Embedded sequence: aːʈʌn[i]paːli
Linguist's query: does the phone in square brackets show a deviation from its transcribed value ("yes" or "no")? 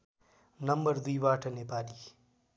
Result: yes